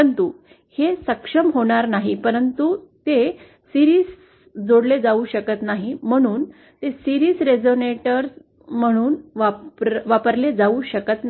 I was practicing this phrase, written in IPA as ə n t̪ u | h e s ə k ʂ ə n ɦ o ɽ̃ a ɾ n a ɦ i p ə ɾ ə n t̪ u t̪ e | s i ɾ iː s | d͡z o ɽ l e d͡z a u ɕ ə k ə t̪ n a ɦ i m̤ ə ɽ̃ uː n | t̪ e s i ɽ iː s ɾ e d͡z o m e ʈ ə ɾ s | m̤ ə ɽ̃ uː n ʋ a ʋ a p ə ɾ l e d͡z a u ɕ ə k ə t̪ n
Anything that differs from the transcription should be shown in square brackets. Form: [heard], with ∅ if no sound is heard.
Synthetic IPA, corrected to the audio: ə n t̪ u | h e s ə k ʂ ə [m] ɦ o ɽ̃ a ɾ n a ɦ i p ə ɾ ə n t̪ u t̪ e | s i ɾ iː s | d͡z o ɽ l e d͡z a u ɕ ə k ə t̪ n a ɦ i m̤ ə ɽ̃ uː n | t̪ e s i [ɾ] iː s ɾ e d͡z o [n] e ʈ ə ɾ s | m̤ ə ɽ̃ uː n ʋ a ʋ a p ə ɾ l e d͡z a u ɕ ə k ə t̪ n